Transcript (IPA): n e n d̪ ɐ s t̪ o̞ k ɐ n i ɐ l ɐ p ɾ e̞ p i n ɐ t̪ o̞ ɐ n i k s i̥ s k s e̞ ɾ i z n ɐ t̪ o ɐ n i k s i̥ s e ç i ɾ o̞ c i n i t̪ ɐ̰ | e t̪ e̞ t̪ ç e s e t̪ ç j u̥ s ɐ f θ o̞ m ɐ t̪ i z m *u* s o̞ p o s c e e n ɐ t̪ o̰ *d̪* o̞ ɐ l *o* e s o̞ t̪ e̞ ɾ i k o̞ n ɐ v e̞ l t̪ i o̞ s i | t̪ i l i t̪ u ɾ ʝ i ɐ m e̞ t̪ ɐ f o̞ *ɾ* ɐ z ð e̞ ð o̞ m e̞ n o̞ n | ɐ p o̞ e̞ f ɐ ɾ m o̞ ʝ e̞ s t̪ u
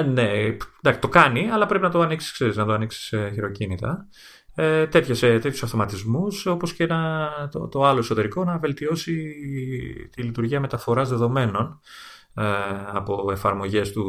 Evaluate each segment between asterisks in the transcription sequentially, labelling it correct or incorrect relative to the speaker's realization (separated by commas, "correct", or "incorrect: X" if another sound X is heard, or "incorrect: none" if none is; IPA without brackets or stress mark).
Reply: correct, incorrect: t̪, correct, correct